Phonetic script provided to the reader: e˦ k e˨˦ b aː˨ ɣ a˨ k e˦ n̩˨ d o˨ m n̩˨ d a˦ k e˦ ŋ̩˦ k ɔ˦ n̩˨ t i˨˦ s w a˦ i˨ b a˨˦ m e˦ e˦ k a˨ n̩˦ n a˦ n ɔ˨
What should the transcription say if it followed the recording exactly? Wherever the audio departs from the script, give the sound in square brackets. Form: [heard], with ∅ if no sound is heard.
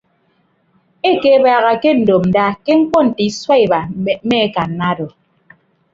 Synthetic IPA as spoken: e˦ k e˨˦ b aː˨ ɣ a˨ k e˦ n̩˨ d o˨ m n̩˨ d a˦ k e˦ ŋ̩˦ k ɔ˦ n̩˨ t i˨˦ s w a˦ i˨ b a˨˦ m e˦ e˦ k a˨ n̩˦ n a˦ [d] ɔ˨